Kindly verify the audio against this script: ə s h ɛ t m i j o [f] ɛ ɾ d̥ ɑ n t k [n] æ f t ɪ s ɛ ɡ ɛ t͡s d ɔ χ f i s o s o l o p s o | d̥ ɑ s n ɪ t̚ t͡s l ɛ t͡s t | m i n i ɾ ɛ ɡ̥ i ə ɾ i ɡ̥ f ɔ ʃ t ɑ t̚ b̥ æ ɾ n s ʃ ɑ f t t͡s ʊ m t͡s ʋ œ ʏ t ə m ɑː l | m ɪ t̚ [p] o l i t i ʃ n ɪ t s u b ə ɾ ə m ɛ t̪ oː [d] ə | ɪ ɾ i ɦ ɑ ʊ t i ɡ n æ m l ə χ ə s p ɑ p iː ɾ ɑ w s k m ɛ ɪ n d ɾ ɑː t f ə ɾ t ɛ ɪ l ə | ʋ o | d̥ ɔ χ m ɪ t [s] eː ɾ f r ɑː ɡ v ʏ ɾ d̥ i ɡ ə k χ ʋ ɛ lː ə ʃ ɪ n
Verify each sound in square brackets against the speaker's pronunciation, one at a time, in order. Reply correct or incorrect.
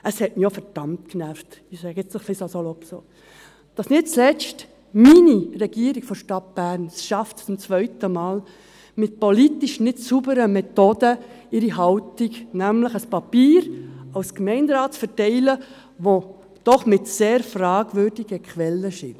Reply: correct, correct, correct, correct, correct

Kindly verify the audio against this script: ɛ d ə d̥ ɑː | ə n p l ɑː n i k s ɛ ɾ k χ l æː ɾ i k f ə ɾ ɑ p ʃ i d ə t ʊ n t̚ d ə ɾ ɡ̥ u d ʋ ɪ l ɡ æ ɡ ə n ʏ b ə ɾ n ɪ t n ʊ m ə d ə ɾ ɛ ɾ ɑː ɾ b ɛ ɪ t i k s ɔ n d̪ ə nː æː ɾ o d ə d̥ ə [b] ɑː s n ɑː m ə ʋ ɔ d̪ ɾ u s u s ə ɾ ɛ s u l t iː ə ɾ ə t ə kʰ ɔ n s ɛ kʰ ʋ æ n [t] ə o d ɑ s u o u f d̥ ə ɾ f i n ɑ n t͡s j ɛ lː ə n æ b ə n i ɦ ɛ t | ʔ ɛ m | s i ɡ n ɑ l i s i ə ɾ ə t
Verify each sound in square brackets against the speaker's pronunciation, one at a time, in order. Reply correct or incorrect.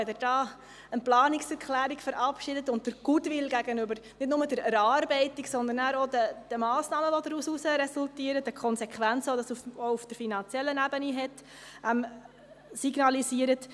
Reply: incorrect, incorrect

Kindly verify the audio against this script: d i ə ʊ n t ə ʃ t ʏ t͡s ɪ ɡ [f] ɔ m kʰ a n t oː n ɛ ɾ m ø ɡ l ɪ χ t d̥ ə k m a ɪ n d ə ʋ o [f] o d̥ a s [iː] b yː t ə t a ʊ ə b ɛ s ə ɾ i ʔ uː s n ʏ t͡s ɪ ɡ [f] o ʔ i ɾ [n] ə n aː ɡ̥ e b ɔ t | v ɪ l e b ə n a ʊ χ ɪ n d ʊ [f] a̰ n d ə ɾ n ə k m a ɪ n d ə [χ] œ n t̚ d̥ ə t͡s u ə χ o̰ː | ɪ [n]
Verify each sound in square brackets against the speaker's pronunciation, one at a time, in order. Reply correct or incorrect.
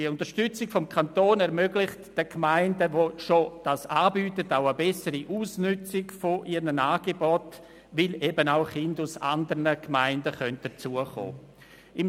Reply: correct, incorrect, incorrect, correct, correct, incorrect, correct, incorrect

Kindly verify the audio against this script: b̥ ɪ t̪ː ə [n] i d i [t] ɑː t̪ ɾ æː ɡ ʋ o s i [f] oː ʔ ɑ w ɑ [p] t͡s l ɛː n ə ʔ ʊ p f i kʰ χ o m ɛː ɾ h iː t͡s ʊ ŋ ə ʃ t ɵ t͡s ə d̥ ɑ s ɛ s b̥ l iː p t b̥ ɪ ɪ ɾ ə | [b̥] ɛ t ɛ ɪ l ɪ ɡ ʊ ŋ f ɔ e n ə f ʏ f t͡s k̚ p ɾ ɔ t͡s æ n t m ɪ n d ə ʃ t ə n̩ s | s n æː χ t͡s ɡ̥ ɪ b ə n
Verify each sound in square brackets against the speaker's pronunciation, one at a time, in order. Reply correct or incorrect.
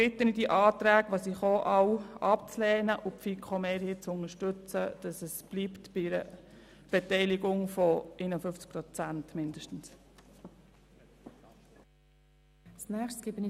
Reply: correct, incorrect, incorrect, correct, correct

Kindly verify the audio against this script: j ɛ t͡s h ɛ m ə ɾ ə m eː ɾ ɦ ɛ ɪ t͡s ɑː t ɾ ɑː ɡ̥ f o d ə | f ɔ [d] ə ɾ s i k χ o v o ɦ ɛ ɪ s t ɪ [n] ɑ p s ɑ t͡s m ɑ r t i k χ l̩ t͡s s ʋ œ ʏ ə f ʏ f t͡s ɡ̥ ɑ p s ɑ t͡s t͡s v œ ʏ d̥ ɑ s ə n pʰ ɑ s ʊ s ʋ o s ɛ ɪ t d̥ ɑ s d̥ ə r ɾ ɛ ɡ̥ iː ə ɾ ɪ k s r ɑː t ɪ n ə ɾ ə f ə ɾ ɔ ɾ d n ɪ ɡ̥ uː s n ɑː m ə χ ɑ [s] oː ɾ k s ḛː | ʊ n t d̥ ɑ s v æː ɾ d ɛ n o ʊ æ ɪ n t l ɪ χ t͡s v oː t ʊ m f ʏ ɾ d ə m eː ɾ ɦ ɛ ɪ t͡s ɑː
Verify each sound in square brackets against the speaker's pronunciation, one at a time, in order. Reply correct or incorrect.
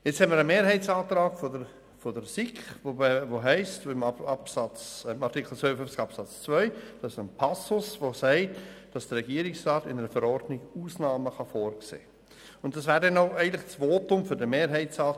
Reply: correct, incorrect, incorrect

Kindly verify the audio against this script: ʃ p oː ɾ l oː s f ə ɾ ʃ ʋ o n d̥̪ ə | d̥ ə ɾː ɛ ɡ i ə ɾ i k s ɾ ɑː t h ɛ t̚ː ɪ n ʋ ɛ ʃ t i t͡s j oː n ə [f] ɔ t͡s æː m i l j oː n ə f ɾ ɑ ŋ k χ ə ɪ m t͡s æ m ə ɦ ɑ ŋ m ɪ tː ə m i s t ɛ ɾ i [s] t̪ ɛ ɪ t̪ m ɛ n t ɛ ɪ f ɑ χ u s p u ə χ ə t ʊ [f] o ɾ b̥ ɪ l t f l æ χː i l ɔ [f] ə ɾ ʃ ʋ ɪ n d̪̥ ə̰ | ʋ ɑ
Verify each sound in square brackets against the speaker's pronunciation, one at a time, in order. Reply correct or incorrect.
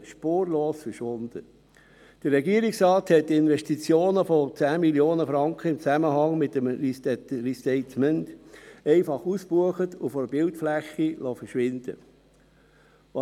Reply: correct, correct, correct, correct

